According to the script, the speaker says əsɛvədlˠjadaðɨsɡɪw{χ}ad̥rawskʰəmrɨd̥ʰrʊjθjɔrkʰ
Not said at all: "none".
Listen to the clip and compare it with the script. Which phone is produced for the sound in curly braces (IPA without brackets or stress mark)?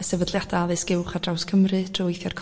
χ